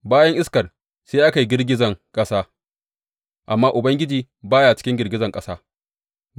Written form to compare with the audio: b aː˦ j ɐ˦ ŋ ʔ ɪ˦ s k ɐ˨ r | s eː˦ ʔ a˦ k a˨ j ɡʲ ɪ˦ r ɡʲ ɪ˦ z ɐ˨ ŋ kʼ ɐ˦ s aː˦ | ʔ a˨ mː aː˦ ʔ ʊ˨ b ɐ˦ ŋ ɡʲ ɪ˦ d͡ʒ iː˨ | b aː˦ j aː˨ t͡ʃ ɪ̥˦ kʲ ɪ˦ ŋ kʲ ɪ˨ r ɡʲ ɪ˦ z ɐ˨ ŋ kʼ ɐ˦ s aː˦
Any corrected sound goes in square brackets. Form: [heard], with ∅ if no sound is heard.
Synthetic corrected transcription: b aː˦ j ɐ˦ ŋ ʔ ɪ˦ s k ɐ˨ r | s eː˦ ʔ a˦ k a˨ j ɡʲ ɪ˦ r ɡʲ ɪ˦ z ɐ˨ ŋ kʼ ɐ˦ s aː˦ | ʔ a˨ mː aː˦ ʔ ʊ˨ b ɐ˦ ŋ ɡʲ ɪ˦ d͡ʒ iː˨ | b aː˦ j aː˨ t͡ʃ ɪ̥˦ kʲ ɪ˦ ŋ [ɡʲ] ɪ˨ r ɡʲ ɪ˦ z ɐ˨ ŋ kʼ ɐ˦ s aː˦